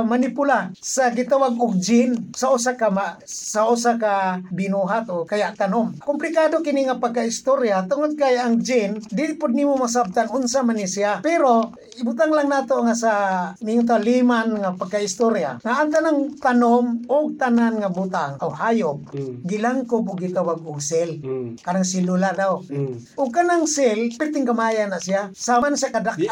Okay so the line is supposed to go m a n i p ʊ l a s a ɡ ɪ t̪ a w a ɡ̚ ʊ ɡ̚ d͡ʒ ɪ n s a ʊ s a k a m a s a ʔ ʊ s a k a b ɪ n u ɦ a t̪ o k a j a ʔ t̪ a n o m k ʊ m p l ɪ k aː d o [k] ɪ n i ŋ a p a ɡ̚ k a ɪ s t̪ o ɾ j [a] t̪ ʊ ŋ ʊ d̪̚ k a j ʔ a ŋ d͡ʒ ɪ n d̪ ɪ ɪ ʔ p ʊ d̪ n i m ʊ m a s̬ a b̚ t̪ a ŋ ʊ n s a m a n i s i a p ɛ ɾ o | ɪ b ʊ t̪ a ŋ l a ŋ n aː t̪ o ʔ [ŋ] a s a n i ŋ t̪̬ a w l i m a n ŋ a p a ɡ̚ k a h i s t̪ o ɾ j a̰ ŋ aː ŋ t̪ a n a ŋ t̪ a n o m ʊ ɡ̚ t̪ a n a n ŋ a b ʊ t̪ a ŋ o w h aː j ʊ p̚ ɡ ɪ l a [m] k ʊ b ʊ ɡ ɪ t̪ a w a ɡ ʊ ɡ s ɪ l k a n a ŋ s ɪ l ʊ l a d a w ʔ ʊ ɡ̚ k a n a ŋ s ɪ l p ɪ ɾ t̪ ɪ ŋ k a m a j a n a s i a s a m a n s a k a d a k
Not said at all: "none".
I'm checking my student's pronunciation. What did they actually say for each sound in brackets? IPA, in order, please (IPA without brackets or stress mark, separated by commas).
k, a, ŋ, ŋ